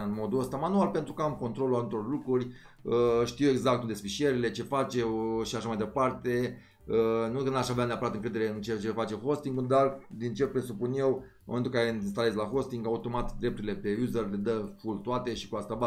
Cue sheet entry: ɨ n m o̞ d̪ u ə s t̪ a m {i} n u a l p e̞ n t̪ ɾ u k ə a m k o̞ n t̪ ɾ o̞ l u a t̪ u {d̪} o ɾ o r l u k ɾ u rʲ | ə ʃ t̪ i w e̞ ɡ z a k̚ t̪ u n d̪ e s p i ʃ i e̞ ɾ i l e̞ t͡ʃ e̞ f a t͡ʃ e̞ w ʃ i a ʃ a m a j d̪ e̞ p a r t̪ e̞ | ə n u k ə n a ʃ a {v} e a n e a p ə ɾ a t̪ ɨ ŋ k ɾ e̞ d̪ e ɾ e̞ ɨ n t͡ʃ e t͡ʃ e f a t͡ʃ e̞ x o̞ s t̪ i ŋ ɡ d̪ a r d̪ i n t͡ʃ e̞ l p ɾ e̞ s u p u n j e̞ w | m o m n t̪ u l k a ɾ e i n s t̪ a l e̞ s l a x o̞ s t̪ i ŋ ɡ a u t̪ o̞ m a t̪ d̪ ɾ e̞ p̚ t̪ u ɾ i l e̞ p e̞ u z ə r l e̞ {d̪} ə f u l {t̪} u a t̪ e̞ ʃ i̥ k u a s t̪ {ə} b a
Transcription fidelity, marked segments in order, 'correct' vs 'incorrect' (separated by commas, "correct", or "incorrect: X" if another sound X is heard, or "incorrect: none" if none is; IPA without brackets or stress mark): incorrect: a, incorrect: t̪, correct, correct, correct, incorrect: a